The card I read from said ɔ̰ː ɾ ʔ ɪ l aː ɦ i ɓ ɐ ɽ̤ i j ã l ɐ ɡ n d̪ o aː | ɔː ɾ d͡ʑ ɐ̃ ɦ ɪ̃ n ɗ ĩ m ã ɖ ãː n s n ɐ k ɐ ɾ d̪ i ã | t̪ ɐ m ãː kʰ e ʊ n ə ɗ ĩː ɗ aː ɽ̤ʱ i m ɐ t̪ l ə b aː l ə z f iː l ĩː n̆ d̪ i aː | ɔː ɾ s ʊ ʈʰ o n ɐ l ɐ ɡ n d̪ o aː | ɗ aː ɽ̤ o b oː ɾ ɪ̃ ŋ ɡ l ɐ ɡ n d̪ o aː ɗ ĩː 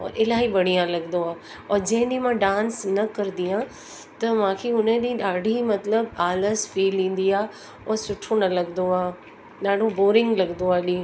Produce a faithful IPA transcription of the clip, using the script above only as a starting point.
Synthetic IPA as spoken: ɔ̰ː ɾ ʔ ɪ l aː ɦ i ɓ ɐ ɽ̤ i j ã l ɐ ɡ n d̪ o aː | ɔː ɾ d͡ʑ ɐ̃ ɦ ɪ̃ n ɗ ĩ m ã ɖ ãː n s n ɐ k ɐ ɾ d̪ i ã | t̪ ɐ m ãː kʰ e ʊ n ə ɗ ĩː ɗ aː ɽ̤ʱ i m ɐ t̪ l ə b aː l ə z f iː l ĩː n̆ d̪ i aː | ɔː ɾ s ʊ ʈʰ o n ɐ l ɐ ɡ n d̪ o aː | ɗ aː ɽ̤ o b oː ɾ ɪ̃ ŋ ɡ l ɐ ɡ n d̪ o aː ɗ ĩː